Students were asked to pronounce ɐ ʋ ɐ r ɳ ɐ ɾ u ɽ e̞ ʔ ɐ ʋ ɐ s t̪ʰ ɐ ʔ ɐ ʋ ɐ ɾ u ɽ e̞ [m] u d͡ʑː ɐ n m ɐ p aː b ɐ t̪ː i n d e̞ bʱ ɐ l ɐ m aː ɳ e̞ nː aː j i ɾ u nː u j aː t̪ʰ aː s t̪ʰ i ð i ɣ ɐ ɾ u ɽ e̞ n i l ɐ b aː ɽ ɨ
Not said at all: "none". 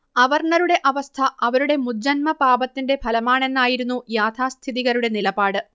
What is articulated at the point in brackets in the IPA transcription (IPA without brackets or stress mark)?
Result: m